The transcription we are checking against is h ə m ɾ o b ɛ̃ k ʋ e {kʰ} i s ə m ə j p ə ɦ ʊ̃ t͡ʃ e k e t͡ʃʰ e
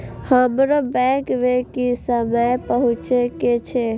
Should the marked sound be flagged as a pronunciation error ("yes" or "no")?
yes